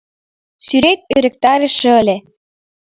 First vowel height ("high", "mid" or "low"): high